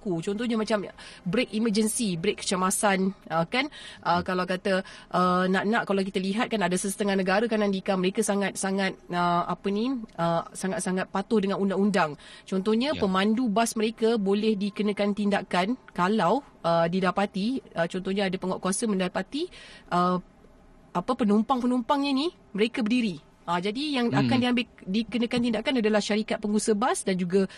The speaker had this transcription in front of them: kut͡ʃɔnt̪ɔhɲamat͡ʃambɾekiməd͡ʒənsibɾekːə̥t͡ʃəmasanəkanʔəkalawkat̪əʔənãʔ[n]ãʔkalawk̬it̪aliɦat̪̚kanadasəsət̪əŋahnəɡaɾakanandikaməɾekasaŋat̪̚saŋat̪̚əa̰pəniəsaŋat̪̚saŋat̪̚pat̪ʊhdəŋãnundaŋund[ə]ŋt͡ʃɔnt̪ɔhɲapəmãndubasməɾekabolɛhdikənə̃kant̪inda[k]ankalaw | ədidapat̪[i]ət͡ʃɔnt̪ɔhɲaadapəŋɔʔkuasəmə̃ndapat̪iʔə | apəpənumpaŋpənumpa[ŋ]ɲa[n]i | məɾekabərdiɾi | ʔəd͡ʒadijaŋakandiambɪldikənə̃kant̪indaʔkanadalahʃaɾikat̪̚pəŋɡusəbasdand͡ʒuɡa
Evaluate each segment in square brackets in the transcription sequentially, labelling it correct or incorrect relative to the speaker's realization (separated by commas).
correct, incorrect, correct, correct, correct, correct